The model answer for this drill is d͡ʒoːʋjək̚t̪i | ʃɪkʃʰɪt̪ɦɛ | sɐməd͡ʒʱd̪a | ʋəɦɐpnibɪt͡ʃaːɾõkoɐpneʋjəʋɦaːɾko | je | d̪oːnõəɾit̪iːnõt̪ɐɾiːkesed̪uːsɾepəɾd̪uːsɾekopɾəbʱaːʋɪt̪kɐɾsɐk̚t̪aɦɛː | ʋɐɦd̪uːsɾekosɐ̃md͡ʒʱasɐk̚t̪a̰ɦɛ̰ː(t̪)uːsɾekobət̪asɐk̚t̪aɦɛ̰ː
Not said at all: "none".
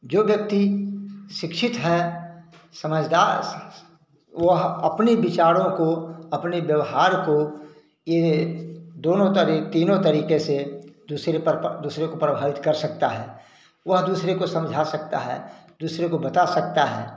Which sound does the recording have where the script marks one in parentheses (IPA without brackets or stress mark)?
d̪